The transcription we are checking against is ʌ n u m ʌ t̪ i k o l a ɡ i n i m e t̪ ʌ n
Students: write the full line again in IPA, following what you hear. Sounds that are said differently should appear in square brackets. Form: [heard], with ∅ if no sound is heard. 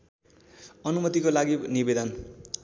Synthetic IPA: ʌ n u m ʌ t̪ i k o l a ɡ i n i [b] e [d̪] ʌ n